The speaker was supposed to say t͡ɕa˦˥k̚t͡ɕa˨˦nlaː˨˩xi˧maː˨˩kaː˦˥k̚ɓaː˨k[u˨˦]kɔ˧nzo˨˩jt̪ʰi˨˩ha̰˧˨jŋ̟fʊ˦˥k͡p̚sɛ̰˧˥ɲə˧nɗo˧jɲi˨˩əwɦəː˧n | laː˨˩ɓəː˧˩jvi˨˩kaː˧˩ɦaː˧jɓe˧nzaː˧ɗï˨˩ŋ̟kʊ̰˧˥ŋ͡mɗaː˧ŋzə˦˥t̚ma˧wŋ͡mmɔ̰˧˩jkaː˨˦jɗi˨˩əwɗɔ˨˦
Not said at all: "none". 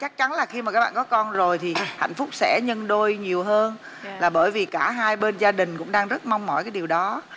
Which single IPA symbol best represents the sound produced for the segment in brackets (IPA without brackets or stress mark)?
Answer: ɔ˨˦